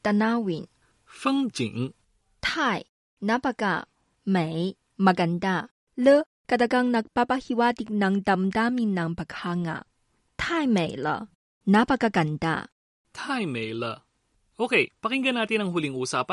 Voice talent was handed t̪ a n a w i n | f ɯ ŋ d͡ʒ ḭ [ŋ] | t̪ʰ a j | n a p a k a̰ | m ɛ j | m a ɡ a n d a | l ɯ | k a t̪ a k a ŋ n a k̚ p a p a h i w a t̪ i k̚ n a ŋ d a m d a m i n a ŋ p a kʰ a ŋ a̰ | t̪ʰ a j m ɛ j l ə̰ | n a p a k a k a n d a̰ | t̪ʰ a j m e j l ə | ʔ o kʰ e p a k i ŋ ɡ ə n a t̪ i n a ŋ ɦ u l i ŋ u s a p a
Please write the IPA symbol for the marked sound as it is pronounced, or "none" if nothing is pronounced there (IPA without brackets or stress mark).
ŋ